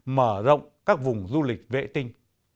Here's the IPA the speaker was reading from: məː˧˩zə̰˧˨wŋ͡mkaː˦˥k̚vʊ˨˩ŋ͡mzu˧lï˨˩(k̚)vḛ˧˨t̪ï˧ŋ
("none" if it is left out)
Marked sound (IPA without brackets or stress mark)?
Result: k̚